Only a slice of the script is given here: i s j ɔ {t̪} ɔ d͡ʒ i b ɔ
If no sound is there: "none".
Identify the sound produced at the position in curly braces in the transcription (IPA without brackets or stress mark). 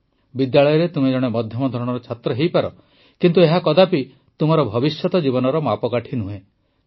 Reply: t̪